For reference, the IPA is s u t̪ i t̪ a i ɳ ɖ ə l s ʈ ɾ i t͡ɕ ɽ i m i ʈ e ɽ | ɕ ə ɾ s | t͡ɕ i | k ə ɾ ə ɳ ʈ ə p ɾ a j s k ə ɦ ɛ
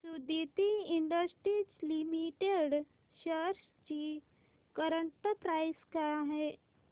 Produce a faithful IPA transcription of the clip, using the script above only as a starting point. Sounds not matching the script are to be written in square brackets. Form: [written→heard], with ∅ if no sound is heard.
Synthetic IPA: s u [t̪→d̪] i t̪ [a→i] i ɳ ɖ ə [l→∅] s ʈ ɾ i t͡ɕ [ɽ→l] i m i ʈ e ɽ | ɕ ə ɾ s | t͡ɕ i | k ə ɾ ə ɳ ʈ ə p ɾ a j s k [ə→a] ɦ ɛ

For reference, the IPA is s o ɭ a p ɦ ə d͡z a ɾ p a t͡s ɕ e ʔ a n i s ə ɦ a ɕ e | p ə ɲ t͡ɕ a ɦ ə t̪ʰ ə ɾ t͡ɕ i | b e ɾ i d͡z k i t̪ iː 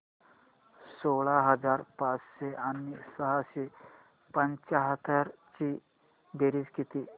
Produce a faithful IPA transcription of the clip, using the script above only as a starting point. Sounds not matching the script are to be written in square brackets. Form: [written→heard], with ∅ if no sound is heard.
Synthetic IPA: s o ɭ a [p→∅] ɦ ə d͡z a ɾ p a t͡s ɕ e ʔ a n i s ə ɦ a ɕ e | p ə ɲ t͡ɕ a ɦ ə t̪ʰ ə ɾ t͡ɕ i | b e ɾ i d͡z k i t̪ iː

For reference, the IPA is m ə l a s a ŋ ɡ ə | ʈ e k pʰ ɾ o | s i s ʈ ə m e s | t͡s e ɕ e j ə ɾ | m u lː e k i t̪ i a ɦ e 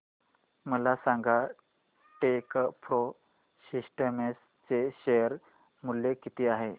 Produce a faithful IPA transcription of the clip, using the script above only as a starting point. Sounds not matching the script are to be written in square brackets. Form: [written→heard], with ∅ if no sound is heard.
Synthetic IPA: m ə l a s a ŋ ɡ [ə→a] | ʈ e k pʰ ɾ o | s i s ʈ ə m e s | t͡s e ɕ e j ə ɾ | m u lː e k i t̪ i a ɦ e

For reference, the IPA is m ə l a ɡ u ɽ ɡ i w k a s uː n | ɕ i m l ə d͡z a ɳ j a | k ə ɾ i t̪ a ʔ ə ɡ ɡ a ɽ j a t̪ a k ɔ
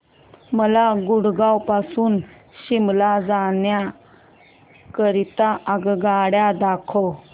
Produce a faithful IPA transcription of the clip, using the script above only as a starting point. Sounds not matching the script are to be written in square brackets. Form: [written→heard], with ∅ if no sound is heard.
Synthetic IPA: m ə l a ɡ u ɽ ɡ [i→a] w [k→p] a s uː n | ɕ i m l [ə→a] d͡z a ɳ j a | k ə ɾ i t̪ a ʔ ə ɡ ɡ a ɽ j a [t̪→d̪] a [k→kʰ] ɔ

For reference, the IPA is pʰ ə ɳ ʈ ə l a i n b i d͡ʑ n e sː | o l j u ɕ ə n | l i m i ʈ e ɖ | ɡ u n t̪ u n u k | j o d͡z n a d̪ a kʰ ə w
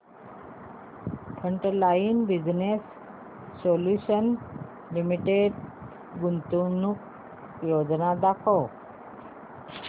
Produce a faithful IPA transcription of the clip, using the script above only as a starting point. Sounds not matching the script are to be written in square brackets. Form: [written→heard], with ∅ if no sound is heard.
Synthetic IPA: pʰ ə ɳ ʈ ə l a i n b i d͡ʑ n e sː | o l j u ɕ ə n | l i m i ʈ e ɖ | ɡ u n t̪ u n u k | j o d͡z n a d̪ a kʰ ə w

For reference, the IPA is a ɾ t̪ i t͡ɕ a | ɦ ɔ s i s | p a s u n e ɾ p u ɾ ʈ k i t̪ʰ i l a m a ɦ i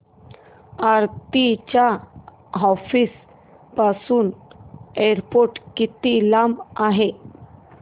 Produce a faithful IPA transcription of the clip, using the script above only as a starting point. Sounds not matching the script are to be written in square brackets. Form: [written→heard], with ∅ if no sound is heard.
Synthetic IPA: a ɾ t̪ i t͡ɕ a | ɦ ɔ [s→f] i s | p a s [u→uː] n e ɾ p [u→o] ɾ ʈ k i [t̪ʰ→t̪] i l a m a ɦ [i→e]

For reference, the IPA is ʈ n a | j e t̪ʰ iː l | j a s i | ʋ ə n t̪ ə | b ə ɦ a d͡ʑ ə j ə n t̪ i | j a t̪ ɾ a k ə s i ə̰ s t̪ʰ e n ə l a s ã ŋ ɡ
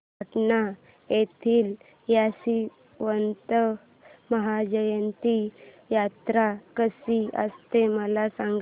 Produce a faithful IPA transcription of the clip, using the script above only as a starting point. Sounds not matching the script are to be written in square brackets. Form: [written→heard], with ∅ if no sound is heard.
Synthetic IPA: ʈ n a | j e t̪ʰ iː l | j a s i | ʋ ə n t̪ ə | [b→m] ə ɦ a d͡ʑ ə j ə n t̪ i | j a t̪ ɾ a k ə s i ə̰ s [t̪ʰ→t̪] e [n→m] ə l a s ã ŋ ɡ

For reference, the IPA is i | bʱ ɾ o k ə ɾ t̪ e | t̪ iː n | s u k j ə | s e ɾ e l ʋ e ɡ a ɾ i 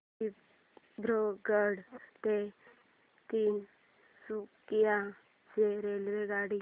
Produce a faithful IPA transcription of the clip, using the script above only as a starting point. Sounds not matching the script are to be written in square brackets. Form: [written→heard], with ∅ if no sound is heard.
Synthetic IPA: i | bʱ ɾ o [k→ɡ] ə [ɾ→ɽ] t̪ e | t̪ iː n | s u k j [ə→a] | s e ɾ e l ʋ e ɡ a [ɾ→ɽ] i

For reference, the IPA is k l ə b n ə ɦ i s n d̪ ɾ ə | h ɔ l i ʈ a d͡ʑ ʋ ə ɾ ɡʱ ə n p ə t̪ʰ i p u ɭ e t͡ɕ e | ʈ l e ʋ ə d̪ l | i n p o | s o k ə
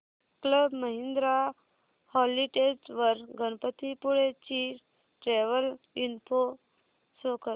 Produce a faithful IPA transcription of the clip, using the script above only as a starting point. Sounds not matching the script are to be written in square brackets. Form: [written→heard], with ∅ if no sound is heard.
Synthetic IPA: k l ə b [n→m] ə ɦ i [s→∅] n d̪ ɾ [ə→a] | h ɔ l i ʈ [a→e] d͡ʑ ʋ ə ɾ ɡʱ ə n p ə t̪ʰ i p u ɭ e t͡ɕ [e→i] | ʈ [l→ɾ] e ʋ ə [d̪→∅] l | i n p o | s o k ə

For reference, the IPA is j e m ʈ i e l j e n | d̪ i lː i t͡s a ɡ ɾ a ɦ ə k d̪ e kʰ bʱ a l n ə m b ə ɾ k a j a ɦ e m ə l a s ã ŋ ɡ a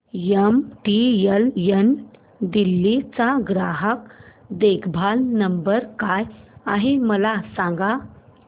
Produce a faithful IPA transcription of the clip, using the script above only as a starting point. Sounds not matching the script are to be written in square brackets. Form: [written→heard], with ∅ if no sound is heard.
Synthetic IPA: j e m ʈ i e l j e n | d̪ i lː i t͡s a ɡ ɾ a ɦ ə k d̪ e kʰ bʱ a l n ə m b ə ɾ k a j a ɦ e m ə l a s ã ŋ ɡ a

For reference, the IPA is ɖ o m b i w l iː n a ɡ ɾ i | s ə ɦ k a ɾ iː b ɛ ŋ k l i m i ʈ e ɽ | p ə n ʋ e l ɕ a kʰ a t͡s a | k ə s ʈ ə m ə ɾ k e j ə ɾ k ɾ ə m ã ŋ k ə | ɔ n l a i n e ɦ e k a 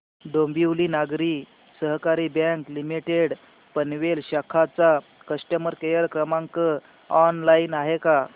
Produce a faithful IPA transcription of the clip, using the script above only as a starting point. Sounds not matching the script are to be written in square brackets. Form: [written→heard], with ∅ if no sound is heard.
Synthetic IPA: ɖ o m b i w l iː n a ɡ ɾ i | s ə ɦ k a ɾ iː b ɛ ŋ k l i m i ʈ e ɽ | p ə n ʋ e l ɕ a kʰ a t͡s a | k ə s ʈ ə m ə ɾ k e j ə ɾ k ɾ ə m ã ŋ k ə | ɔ n l a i n [e→a] ɦ e k a

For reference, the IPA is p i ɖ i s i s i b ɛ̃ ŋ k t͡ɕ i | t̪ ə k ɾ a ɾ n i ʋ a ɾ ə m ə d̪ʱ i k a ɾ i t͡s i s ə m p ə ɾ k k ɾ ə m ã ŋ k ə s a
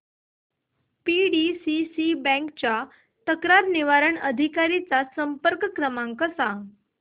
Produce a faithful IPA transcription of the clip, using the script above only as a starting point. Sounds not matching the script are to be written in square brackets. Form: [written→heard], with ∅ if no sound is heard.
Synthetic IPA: p i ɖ i s i s i b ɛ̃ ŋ k t͡ɕ [i→a] | t̪ ə k ɾ a ɾ n i ʋ a ɾ ə [m→ɳ] ə d̪ʱ i k a ɾ i t͡s [i→a] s ə m p ə ɾ k k ɾ ə m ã ŋ k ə s a

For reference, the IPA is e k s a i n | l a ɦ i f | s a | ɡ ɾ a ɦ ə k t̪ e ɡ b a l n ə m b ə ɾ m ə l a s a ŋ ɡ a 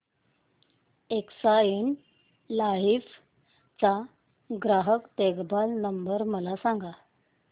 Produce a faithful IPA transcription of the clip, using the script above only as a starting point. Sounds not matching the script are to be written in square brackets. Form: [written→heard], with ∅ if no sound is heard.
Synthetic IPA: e k s a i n | l a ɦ i f | [s→t͡s] a | ɡ ɾ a ɦ ə k t̪ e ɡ b a l n ə m b ə ɾ m ə l a s a ŋ ɡ a

